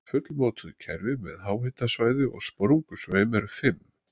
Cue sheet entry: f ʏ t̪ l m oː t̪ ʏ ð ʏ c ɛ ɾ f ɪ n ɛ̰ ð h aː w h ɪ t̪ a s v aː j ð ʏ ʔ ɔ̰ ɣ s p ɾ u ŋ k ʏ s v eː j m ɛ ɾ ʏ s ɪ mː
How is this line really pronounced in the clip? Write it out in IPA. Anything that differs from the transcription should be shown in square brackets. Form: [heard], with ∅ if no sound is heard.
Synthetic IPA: f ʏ t̪ l m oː t̪ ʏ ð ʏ [cʰ] ɛ ɾ [v] ɪ [m] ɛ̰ ð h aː w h ɪ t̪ a s v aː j ð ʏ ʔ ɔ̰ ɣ s p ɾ u ŋ k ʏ s v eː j m ɛ ɾ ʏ [f] ɪ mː